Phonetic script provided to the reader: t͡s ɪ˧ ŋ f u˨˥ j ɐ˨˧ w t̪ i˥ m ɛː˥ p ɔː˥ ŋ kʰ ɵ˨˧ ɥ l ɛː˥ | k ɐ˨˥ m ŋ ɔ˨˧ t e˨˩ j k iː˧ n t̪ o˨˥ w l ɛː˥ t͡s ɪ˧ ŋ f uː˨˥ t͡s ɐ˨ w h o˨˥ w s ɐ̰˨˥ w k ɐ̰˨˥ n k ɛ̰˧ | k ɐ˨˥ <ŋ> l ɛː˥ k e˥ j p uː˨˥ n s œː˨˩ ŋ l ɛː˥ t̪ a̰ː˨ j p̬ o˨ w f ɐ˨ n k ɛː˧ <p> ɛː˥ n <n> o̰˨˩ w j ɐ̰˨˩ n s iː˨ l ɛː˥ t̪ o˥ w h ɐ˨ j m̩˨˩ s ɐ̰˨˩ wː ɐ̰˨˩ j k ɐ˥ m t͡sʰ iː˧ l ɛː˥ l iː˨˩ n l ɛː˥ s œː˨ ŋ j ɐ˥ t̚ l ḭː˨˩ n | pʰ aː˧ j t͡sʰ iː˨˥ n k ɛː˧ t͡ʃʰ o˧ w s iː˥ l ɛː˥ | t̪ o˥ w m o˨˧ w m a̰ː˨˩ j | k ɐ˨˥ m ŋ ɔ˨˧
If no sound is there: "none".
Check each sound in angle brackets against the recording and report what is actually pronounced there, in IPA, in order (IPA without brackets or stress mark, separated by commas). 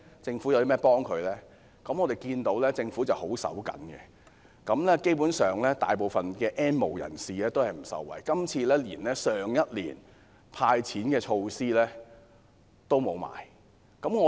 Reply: m, ʔ, m